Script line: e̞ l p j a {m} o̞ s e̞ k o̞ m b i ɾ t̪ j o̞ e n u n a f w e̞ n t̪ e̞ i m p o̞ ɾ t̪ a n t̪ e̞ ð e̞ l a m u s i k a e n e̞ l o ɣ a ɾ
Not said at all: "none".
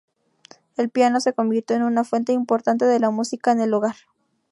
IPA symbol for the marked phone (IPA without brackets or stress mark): n